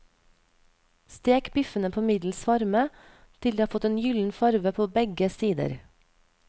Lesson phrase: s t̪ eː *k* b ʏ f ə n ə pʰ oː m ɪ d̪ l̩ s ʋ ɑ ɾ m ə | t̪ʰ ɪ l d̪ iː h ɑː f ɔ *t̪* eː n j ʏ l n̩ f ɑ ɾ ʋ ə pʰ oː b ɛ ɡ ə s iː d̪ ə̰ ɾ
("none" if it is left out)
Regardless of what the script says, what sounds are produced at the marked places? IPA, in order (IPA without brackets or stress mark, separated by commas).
k, t̪